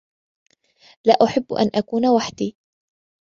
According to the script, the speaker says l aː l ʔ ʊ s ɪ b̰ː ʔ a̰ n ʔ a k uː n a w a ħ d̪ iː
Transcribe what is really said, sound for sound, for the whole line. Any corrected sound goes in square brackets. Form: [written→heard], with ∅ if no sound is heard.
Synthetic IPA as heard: l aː [l→∅] ʔ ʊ [s→ħ] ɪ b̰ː ʔ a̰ n ʔ a k uː n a w a ħ d̪ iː